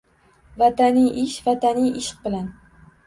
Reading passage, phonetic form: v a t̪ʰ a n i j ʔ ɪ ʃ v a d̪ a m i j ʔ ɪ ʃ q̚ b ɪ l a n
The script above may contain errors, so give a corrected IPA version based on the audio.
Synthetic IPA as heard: v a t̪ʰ a n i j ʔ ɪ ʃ v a t̪ a n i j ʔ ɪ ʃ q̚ b ɪ l a n